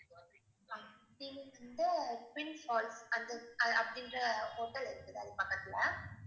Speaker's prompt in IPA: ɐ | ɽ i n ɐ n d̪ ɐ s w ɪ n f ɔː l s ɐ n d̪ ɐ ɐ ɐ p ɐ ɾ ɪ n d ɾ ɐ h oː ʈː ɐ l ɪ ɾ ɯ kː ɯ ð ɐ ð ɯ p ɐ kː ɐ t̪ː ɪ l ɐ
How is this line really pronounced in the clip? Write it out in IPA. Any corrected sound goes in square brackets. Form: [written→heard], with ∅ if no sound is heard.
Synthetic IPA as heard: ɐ | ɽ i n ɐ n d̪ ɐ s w ɪ n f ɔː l s ɐ n d̪ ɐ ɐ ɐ p ɐ [ɾ→ɽ] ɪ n d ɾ ɐ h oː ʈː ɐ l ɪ ɾ ɯ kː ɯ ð ɐ ð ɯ p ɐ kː ɐ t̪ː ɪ l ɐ